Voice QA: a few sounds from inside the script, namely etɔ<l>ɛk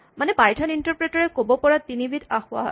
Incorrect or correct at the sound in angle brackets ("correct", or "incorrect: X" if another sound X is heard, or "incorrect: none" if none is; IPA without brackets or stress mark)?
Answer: incorrect: ɹ